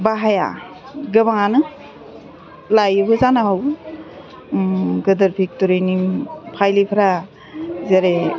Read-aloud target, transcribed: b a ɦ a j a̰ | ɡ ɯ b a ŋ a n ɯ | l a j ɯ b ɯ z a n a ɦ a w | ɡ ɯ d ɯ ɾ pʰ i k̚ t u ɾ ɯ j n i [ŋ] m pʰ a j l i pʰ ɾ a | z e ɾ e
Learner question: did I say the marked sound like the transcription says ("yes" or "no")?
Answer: no